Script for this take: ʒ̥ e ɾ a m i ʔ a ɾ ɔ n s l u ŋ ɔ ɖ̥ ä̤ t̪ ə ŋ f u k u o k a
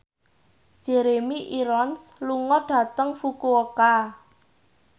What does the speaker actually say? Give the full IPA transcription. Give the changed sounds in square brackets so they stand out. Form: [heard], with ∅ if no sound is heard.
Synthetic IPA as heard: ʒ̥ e ɾ [e] m i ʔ [i] ɾ ɔ n s l u ŋ ɔ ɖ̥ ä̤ t̪ ə ŋ f u k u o k a